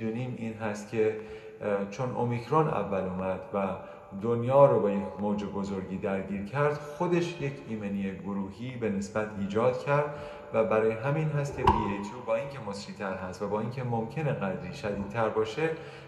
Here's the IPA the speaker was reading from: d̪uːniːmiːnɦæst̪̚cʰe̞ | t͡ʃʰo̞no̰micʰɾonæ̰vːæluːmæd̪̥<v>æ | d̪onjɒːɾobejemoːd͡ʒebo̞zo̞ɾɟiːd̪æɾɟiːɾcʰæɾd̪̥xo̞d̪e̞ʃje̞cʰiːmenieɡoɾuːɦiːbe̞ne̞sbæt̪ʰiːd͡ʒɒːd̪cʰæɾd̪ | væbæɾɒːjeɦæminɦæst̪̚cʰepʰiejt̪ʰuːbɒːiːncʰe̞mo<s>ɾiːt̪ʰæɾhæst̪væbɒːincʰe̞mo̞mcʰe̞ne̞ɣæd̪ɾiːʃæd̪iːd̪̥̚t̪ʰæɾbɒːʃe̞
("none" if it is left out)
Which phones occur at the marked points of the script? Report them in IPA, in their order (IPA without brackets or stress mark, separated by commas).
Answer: v, s